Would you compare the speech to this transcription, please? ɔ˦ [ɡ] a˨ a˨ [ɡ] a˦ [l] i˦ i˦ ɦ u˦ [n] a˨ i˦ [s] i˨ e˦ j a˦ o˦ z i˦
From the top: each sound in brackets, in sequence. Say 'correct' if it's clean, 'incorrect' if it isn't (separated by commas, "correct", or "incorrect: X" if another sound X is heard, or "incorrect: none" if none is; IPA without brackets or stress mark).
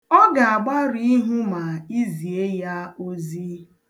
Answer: correct, incorrect: ɡ͡b, incorrect: ɾ, incorrect: m, incorrect: z